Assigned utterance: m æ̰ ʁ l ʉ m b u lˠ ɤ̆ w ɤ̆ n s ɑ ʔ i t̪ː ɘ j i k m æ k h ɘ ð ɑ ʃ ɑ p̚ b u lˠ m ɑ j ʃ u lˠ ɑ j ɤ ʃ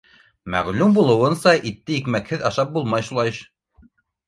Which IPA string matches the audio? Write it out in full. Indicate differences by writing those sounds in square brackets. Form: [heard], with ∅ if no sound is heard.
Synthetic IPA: m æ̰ ʁ l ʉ m b u lˠ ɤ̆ w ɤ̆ n s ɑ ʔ i t̪ː ɘ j i k m æ k h ɘ ð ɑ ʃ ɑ p̚ b u lˠ m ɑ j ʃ u lˠ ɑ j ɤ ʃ